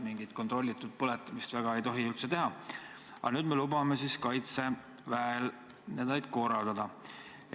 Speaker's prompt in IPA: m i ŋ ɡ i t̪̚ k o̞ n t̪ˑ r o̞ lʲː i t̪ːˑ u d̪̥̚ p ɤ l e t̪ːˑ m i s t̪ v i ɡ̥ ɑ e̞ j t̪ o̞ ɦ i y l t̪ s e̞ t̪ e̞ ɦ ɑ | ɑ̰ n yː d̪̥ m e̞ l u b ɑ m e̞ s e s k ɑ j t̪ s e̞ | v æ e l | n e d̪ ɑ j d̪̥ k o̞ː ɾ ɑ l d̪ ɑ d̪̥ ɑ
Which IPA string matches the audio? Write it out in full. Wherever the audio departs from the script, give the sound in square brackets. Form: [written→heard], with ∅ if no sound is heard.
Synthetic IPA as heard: m i ŋ ɡ i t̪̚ k o̞ n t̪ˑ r o̞ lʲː i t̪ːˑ u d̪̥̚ p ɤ l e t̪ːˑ m i s t̪ v [i→æ] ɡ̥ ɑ e̞ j t̪ o̞ ɦ i y l t̪ s e̞ t̪ e̞ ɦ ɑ | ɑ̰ n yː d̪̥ m e̞ l u b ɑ m e̞ s [e→i] s k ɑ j t̪ s e̞ | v æ e l | n e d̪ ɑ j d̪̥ k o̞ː ɾ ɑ l d̪ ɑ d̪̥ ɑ